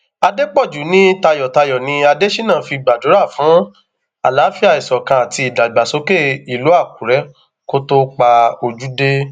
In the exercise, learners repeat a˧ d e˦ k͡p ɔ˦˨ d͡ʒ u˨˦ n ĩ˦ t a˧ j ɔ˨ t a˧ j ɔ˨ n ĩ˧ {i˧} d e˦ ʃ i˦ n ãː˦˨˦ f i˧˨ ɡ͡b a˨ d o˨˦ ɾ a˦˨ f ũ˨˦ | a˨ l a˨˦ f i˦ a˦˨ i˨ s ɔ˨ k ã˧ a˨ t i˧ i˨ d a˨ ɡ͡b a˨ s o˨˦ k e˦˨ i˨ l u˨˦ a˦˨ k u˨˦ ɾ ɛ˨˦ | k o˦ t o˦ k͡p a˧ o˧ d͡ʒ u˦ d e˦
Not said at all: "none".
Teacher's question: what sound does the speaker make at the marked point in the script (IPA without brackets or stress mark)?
a˧